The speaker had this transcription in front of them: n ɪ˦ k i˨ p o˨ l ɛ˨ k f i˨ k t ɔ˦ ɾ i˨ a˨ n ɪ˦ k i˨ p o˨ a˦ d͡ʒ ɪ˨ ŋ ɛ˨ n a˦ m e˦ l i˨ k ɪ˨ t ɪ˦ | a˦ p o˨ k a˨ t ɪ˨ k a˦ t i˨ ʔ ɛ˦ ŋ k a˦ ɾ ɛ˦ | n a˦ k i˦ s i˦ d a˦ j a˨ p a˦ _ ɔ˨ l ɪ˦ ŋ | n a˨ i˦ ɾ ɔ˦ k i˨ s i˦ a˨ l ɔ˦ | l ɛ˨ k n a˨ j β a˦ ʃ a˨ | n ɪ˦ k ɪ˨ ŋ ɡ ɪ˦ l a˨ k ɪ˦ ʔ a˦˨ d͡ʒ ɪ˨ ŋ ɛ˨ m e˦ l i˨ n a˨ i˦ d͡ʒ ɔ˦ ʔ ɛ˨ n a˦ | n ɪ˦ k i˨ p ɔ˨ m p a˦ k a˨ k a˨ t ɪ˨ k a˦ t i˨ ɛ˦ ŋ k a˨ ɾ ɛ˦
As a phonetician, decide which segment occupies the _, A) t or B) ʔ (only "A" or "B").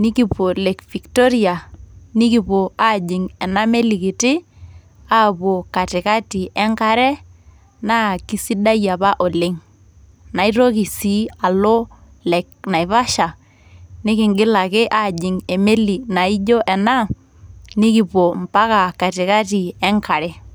B